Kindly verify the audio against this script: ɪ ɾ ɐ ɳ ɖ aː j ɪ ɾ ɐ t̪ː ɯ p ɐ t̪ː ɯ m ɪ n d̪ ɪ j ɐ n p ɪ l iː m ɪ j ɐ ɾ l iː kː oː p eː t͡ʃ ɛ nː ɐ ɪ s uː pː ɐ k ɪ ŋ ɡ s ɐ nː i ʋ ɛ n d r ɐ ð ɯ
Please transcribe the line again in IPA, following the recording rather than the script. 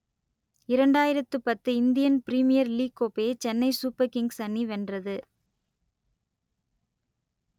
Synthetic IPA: ɪ ɾ ɐ ɳ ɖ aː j ɪ ɾ ɐ t̪ː ɯ p ɐ t̪ː ɯ ɪ n d̪ ɪ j ɐ n p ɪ ɾ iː m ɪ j ɐ ɾ l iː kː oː p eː t͡ʃ ɛ nː ɐ ɪ s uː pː ɐ k ɪ ŋ ɡ s ɐ nː i ʋ ɛ n d r ɐ ð ɯ